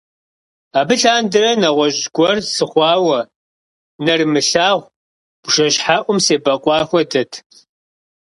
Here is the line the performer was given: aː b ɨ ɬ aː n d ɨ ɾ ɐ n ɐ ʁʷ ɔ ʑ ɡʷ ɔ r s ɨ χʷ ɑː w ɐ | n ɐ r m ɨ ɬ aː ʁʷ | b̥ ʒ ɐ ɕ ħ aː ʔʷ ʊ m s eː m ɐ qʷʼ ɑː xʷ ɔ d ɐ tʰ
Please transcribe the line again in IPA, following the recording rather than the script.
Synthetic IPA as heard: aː b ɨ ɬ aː n d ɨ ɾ ɐ n ɐ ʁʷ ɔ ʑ ɡʷ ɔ r s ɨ χʷ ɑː w ɐ | n ɐ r m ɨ ɬ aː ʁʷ | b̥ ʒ ɐ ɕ ħ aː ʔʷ ʊ m s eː b ɐ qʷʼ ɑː xʷ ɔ d ɐ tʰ